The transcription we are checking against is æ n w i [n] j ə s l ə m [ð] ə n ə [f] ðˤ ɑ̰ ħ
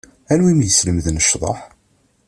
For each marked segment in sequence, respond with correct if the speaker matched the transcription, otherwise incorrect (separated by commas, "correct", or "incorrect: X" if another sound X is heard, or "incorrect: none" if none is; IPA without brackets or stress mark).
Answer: incorrect: m, correct, incorrect: ʃ